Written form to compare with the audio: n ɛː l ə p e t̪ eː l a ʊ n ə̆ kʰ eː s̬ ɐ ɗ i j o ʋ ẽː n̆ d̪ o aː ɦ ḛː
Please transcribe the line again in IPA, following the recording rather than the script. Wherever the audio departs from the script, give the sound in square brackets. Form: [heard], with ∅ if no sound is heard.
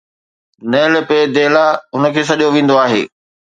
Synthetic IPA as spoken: n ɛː l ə p e [d̪] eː l a ʊ n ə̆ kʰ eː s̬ ɐ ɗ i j o ʋ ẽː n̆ d̪ o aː ɦ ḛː